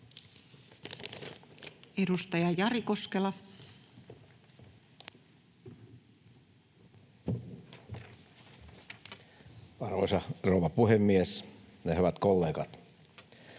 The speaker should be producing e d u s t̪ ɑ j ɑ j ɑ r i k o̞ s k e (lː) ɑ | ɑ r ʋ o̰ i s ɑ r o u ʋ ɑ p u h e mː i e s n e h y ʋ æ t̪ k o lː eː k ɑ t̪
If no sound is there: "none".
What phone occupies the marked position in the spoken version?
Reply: l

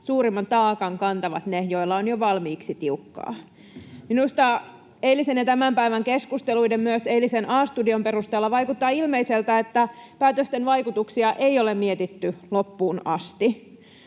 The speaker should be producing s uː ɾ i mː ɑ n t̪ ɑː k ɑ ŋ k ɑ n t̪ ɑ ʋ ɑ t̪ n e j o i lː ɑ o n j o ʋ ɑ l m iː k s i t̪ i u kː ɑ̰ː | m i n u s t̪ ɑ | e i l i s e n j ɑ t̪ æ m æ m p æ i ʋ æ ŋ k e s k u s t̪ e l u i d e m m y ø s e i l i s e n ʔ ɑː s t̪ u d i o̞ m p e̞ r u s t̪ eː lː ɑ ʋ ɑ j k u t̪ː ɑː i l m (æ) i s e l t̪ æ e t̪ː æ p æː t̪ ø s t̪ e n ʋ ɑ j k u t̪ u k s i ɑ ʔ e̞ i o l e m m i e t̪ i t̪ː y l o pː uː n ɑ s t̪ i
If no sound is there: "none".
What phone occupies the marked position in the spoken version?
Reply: e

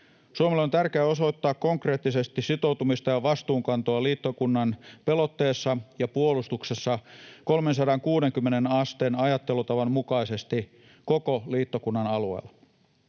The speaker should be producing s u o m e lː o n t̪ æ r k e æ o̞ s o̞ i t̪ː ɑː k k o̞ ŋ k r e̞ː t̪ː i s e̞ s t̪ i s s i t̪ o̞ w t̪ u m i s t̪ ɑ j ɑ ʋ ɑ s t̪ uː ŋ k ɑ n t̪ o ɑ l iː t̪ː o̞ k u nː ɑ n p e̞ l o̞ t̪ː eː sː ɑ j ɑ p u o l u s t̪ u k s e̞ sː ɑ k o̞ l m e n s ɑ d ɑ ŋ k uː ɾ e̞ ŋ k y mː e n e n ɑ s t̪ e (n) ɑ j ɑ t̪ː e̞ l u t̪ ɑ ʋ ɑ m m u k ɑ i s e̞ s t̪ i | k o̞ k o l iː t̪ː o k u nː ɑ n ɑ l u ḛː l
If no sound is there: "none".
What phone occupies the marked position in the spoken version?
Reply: n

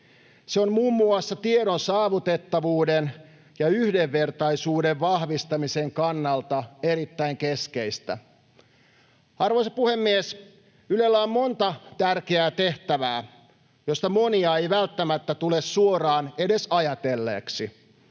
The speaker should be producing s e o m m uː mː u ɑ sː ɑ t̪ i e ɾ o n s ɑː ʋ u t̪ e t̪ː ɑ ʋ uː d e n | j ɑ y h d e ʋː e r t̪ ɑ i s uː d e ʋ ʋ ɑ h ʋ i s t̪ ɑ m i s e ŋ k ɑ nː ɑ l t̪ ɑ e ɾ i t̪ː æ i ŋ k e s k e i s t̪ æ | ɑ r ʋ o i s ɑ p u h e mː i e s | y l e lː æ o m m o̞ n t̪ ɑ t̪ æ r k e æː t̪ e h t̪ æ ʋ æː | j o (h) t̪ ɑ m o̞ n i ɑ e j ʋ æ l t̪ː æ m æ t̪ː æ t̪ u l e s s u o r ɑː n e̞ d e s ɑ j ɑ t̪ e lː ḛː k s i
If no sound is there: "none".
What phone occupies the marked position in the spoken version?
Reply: s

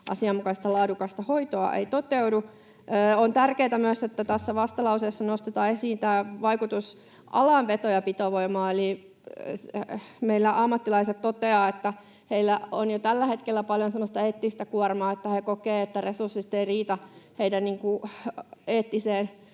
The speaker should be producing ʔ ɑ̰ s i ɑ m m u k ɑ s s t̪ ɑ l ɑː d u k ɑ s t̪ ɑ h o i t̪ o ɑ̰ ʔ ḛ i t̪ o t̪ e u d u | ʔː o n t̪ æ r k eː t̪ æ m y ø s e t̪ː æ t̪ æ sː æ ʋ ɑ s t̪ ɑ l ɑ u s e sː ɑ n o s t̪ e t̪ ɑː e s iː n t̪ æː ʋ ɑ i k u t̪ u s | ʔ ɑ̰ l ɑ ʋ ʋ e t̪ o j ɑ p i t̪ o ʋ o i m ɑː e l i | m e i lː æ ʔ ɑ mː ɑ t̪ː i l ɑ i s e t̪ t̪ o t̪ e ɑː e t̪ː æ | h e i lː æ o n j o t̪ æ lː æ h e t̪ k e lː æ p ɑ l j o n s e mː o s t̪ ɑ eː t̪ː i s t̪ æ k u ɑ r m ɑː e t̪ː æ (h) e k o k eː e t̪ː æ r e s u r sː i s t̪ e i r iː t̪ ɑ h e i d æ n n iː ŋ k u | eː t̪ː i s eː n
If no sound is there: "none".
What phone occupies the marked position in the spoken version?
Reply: h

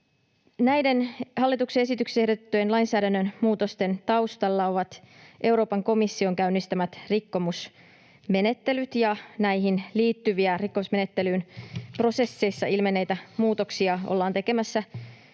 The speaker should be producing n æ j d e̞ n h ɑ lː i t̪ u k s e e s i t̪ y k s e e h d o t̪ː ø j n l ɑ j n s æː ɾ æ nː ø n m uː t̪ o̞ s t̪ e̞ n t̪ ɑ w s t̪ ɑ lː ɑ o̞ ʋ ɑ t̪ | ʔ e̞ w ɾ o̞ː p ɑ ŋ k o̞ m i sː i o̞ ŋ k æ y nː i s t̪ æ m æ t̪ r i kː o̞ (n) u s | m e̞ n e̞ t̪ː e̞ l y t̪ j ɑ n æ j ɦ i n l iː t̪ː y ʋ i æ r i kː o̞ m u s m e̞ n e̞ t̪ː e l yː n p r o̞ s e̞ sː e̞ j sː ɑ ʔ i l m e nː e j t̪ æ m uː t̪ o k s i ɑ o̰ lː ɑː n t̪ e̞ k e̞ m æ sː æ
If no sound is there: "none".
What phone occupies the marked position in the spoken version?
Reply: m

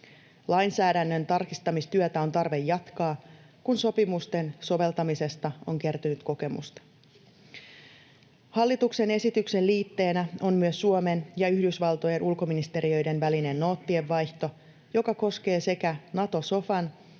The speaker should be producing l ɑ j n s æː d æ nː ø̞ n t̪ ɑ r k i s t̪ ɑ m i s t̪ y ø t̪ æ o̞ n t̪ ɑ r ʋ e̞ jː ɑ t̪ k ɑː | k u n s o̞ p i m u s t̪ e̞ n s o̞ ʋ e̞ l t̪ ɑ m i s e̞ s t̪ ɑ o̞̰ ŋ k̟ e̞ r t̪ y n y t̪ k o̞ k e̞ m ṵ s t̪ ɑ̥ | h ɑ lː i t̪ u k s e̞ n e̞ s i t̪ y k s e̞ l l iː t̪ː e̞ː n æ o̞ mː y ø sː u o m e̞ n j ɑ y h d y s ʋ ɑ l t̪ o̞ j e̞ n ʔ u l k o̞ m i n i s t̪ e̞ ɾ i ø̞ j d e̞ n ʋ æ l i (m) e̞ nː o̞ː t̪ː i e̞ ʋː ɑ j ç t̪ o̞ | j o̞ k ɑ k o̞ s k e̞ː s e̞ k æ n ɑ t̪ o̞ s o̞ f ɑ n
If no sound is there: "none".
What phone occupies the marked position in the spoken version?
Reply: n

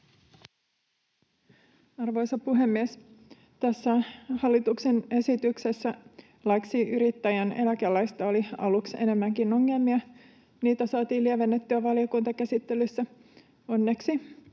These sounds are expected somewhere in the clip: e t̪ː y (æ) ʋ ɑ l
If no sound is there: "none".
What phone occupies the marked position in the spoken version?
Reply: æ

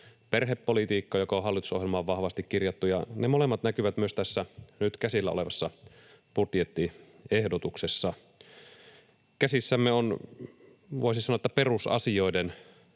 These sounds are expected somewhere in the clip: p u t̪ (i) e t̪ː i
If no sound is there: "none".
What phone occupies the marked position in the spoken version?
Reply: j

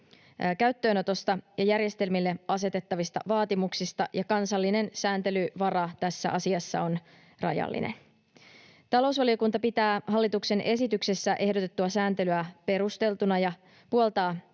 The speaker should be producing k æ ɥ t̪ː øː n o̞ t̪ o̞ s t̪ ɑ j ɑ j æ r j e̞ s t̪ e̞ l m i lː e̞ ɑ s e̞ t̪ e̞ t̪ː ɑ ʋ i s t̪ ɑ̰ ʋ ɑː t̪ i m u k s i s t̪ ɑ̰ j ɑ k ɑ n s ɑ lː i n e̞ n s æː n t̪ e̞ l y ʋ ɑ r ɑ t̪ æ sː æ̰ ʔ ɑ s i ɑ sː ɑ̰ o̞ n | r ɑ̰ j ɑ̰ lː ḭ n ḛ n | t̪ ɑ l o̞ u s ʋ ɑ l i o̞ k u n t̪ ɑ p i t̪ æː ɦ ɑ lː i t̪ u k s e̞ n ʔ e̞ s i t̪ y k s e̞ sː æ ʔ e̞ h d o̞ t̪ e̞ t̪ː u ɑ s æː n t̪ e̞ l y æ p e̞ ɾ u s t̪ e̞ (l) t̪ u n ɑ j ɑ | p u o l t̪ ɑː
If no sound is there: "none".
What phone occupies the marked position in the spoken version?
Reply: l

